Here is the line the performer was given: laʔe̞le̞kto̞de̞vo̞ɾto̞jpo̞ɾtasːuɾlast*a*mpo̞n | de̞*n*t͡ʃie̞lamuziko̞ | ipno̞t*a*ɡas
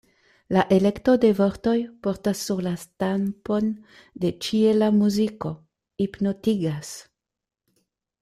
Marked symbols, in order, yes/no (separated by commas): yes, no, no